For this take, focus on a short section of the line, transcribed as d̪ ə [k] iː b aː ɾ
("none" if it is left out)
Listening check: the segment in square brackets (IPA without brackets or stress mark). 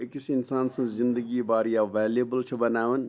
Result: ɡ